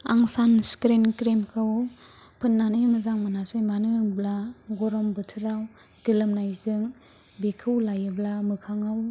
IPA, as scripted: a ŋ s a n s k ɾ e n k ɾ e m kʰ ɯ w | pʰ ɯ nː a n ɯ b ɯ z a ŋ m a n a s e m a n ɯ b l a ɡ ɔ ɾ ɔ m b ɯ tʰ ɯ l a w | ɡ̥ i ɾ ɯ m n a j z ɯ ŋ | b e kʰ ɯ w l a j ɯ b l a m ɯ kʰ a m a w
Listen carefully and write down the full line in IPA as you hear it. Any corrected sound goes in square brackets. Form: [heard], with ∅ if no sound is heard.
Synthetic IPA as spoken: a ŋ s a n s k ɾ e n k ɾ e m kʰ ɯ w | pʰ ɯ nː a n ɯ [m] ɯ z a ŋ m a n a s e m a n ɯ b l a ɡ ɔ ɾ ɔ m b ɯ tʰ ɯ [ɾ] a w | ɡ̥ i [l] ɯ m n a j z ɯ ŋ | b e kʰ ɯ w l a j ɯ b l a m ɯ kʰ a [ŋ] a w